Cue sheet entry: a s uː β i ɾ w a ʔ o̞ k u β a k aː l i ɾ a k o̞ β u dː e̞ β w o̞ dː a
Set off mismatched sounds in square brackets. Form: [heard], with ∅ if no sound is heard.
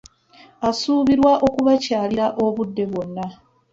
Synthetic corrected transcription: a s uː β i ɾ w a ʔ o̞ k u β a [c] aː l i ɾ a [ʔ] o̞ β u dː e̞ β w o̞ [nː] a